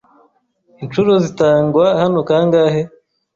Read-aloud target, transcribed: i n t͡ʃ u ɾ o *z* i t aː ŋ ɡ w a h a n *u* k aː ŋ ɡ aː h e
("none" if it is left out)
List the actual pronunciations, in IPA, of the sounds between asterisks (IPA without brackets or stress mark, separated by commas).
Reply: z, o